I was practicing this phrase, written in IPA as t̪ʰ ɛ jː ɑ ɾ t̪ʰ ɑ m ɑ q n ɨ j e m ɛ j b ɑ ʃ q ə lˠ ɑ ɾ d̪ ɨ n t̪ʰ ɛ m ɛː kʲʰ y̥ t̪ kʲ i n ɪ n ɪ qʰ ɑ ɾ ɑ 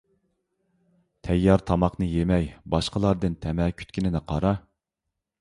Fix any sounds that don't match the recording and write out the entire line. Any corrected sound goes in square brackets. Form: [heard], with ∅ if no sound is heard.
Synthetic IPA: t̪ʰ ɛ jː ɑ ɾ t̪ʰ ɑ m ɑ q n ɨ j e m ɛ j b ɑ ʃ q ə lˠ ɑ ɾ d̪ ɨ n t̪ʰ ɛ m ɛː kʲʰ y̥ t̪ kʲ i n ɪ n ɪ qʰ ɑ ɾ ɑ